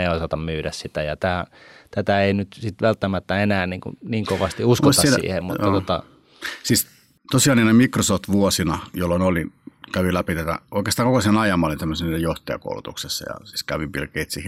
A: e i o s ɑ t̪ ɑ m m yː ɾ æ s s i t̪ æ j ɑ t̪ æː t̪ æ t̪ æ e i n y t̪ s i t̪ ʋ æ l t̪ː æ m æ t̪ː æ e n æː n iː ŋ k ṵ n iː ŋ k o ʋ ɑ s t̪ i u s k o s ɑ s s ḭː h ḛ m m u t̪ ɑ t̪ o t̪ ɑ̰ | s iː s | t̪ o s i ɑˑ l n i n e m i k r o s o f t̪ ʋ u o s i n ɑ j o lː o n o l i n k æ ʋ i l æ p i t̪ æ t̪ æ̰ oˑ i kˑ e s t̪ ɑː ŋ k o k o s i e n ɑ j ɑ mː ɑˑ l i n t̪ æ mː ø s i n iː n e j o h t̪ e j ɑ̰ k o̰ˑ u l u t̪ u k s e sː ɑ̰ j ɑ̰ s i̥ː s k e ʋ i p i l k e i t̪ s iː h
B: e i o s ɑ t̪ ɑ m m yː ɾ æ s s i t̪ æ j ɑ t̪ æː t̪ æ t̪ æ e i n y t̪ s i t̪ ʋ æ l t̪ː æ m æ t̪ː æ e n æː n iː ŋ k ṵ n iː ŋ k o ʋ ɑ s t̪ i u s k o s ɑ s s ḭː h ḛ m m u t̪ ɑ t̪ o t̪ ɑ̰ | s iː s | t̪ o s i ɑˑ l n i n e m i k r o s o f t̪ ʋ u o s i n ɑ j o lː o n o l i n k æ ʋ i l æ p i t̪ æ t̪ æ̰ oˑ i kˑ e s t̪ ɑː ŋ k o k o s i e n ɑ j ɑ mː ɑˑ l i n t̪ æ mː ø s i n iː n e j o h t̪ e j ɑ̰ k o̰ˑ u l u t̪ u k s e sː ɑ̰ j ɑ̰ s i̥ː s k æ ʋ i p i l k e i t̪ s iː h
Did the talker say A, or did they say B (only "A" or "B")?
B